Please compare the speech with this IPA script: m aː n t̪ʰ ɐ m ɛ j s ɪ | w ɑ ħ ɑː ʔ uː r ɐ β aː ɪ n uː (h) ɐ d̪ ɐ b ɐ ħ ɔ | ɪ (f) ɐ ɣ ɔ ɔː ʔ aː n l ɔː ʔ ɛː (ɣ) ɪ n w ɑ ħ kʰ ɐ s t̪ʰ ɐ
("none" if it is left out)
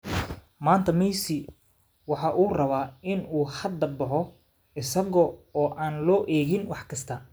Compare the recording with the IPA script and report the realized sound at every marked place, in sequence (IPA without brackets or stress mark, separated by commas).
h, s, ɣ